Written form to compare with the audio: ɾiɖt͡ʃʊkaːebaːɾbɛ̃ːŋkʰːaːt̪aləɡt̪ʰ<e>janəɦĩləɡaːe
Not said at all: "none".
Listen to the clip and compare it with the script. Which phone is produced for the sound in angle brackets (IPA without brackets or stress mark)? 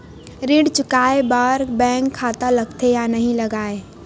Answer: e